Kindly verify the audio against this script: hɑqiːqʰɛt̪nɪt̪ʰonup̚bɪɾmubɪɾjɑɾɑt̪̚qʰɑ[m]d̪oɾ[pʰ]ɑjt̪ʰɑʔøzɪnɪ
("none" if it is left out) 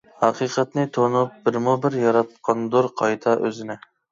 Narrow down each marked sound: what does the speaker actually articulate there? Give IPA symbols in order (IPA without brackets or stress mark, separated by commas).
n, qʰ